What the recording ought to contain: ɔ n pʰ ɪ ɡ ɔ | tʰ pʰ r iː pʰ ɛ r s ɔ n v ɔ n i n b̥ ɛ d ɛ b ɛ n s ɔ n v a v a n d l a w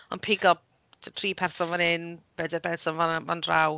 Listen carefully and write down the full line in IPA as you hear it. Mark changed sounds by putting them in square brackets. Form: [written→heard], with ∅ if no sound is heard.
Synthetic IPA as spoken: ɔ n pʰ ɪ ɡ ɔ | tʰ [pʰ→tʰ] r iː pʰ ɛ r s ɔ n v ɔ n [i→ɪ] n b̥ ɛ d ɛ b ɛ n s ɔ n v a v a n d [l→r] a w